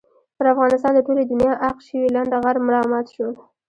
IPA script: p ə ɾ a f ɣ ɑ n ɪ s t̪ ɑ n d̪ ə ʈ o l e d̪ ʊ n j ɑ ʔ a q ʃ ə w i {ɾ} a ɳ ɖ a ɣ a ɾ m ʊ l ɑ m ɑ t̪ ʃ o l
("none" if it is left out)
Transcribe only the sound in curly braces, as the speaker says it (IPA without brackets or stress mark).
l